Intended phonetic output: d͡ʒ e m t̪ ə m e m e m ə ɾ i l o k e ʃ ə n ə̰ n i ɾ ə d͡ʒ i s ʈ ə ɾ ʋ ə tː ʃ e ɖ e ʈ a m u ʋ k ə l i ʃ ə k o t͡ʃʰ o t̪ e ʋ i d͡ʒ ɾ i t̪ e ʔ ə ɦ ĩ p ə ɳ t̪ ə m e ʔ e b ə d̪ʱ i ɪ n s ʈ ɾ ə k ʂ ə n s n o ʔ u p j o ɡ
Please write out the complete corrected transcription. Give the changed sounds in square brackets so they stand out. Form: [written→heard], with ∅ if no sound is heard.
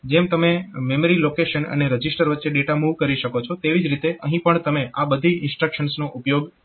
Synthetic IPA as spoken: d͡ʒ e m t̪ ə m e m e m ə ɾ i l o k e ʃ ə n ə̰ n [i→e] ɾ ə d͡ʒ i s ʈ ə ɾ ʋ ə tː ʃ e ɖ e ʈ a m u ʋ k ə [l→ɾ] i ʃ ə k o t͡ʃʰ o t̪ e ʋ i d͡ʒ ɾ i t̪ e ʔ ə ɦ ĩ p ə ɳ t̪ ə m e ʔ [e→a] b ə d̪ʱ i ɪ n s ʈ ɾ ə k [ʂ→ʃ] ə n s n o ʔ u p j o ɡ